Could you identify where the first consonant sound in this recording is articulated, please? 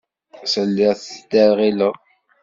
alveolar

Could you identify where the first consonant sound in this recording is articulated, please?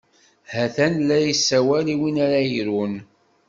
glottal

